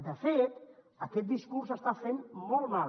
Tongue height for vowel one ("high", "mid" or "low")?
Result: mid